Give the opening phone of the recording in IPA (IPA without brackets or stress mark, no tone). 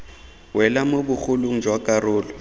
w